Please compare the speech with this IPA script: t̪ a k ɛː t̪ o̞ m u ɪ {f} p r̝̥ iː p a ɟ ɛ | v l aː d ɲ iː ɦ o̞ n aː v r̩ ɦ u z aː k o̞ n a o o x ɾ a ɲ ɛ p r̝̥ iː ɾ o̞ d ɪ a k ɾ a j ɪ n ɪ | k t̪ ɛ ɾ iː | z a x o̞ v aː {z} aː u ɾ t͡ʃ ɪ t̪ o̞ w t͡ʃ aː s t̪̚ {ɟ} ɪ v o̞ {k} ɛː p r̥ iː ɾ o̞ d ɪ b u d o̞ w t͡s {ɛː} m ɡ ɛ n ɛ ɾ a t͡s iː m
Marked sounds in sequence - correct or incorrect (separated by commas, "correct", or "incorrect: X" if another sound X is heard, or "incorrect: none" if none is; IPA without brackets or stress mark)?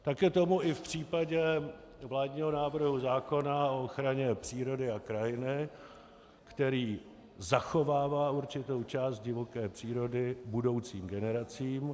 correct, incorrect: v, correct, correct, incorrect: iː